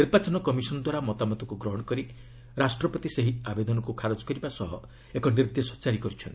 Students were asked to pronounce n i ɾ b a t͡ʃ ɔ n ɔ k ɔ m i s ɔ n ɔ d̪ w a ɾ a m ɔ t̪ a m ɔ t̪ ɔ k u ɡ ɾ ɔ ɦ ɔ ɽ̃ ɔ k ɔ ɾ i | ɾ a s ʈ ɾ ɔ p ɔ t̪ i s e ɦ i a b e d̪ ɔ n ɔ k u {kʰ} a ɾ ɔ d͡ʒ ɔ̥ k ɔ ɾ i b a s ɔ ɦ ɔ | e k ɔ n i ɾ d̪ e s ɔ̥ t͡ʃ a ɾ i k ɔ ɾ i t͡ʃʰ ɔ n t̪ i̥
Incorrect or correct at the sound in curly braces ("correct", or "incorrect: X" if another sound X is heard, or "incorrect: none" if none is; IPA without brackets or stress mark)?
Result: correct